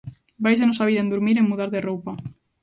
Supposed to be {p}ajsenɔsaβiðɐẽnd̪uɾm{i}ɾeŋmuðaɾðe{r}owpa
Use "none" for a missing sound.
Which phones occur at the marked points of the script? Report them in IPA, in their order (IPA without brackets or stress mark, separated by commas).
b, i, r